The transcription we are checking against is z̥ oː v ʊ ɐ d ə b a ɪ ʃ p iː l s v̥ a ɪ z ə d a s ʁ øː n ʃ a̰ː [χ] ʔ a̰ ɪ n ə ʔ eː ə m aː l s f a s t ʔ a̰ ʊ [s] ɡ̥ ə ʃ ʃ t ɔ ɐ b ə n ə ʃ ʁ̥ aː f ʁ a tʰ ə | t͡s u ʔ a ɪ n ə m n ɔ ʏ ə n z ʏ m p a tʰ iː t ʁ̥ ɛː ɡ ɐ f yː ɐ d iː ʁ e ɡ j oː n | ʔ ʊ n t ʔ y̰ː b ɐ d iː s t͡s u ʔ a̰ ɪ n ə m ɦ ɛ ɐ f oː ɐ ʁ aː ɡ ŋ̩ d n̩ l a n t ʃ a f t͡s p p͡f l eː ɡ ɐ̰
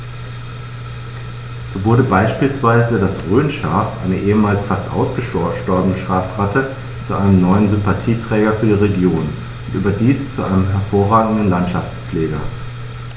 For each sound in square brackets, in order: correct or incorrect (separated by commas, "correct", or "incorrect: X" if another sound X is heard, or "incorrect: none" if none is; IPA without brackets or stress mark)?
incorrect: f, correct